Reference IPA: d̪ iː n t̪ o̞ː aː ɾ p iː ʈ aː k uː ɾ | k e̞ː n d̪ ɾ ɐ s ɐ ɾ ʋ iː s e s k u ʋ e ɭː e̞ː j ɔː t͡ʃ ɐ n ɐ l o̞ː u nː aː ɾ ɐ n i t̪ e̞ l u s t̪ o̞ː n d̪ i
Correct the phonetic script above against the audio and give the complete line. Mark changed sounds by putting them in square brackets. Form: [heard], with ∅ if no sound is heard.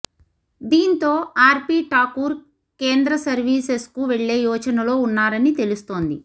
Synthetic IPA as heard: d̪ iː n t̪ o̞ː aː ɾ p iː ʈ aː k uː ɾ | k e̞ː n d̪ ɾ ɐ s ɐ ɾ ʋ iː s e s k u ʋ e ɭː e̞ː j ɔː t͡ʃ ɐ n ɐ l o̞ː u nː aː ɾ ɐ n i t̪ e̞ l u s t̪ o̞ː n d̪ i